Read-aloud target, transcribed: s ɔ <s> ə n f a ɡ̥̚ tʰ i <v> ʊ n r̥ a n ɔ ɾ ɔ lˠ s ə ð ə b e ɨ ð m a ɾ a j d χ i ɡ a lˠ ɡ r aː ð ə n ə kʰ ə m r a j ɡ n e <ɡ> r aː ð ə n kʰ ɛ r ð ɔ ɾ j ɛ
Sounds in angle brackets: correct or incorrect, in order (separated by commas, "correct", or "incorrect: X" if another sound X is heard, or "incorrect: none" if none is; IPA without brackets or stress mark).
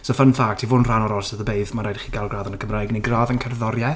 incorrect: f, correct, correct